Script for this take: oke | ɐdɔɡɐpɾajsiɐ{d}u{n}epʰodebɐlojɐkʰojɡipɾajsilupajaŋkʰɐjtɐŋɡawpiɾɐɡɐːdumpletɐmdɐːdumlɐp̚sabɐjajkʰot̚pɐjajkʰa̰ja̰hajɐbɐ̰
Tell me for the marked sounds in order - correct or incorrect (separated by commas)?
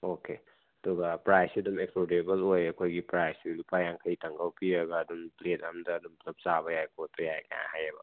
correct, incorrect